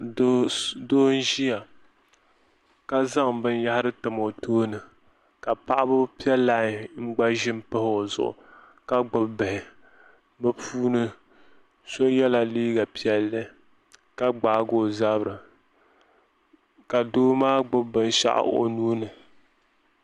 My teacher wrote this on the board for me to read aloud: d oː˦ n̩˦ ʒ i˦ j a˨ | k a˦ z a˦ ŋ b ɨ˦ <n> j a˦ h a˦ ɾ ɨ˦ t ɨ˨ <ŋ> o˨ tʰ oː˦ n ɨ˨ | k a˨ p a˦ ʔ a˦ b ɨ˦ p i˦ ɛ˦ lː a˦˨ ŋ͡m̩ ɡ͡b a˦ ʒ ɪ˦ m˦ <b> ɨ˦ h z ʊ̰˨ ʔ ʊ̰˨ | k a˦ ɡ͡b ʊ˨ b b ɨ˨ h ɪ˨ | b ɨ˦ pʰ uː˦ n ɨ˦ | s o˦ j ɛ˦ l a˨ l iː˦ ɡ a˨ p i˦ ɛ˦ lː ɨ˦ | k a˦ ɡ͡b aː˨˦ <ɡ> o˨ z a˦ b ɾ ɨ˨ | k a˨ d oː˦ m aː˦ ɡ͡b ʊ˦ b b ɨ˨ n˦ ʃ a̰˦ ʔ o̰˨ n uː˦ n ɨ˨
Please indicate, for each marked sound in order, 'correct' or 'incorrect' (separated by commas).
correct, incorrect, incorrect, correct